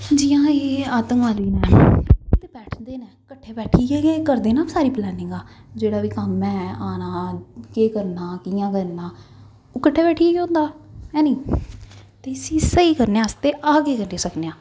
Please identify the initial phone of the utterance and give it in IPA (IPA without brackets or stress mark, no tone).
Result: d͡ʒ